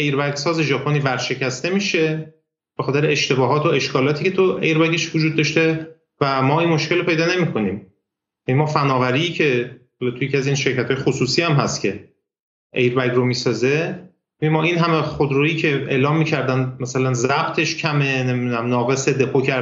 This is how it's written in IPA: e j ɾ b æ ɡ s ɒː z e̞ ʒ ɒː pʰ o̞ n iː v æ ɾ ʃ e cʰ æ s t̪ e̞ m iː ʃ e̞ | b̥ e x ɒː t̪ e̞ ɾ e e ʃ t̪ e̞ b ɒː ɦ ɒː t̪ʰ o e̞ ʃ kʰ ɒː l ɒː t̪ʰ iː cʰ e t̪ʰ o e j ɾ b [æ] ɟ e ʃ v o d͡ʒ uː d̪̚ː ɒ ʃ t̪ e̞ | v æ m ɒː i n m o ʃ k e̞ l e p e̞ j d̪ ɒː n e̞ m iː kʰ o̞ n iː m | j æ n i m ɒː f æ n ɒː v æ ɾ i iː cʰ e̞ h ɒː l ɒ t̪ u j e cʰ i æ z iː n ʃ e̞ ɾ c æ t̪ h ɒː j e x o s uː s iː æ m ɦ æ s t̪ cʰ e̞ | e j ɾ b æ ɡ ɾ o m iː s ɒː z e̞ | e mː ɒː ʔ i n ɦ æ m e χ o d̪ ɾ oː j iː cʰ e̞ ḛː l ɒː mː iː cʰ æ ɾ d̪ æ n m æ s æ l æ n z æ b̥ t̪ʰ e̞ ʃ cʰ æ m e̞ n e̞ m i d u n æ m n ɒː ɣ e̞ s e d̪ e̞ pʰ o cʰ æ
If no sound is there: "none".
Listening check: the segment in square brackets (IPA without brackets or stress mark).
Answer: æ